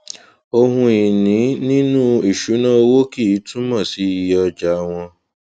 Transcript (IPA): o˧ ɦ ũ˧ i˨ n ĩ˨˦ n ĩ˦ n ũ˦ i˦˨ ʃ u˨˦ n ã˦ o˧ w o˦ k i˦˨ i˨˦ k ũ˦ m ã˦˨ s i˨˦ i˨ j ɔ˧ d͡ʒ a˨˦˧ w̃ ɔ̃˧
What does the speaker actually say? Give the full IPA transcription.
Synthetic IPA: o˧ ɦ ũ˧ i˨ n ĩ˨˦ n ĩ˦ n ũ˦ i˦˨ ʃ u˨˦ n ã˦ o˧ w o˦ k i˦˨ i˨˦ t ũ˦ m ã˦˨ s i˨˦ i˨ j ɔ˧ d͡ʒ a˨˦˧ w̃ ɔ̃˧